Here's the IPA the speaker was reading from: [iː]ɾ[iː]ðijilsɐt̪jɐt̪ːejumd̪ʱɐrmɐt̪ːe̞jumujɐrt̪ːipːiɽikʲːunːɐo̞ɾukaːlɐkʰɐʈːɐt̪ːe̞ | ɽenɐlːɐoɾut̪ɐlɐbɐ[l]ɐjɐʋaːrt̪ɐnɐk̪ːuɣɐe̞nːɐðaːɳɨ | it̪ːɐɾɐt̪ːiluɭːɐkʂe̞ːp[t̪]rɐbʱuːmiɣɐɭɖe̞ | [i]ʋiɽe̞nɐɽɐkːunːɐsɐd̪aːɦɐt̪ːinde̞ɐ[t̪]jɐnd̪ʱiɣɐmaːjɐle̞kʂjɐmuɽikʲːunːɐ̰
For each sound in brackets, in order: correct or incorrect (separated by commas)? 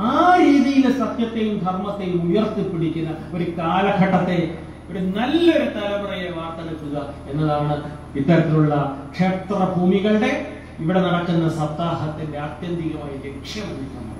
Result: incorrect, correct, incorrect, correct, correct, correct